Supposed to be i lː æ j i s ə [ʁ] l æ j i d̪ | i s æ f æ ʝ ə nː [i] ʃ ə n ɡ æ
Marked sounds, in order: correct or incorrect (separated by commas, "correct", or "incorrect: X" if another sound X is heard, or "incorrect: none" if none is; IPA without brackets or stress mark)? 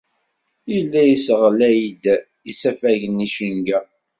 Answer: correct, correct